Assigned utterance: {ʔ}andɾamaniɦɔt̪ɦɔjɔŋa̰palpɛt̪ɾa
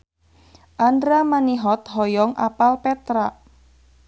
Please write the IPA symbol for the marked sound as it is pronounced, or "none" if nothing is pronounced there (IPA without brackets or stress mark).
ʔ